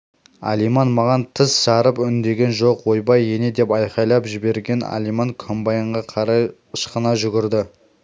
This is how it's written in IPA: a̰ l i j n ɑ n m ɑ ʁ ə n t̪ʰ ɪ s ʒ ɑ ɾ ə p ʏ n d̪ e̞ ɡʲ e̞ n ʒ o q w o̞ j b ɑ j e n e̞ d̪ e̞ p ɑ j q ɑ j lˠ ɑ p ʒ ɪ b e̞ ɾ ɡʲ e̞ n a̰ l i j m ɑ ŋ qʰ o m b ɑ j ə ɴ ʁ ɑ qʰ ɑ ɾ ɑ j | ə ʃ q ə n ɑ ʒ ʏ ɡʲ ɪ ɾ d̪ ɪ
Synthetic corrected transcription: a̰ l i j m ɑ n m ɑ ʁ ɑ n t̪ʰ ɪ s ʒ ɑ ɾ ə p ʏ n d̪ e̞ ɡʲ e̞ n ʒ o q w o̞ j b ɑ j e n e̞ d̪ e̞ p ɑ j q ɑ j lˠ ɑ p ʒ ɪ b e̞ ɾ ɡʲ e̞ n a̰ l i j m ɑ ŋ kʰ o m b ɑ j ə ɴ ʁ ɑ qʰ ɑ ɾ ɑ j | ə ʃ q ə n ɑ ʒ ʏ ɡʲ ɪ ɾ d̪ ɪ